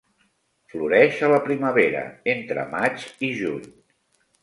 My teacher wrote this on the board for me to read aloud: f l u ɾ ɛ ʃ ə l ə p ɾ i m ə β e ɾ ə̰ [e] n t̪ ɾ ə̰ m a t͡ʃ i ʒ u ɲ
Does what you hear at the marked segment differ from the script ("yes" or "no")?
no